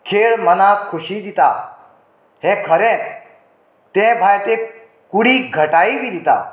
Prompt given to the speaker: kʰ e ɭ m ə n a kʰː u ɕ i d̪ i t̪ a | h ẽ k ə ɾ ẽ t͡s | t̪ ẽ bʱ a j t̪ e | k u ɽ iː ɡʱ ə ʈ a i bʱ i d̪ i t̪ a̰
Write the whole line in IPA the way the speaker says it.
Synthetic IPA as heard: kʰ e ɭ m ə n a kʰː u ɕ i d̪ i t̪ a | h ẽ kʰ ə ɾ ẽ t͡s | t̪ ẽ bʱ a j t̪ e | k u ɽ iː ɡʱ ə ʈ a i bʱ i d̪ i t̪ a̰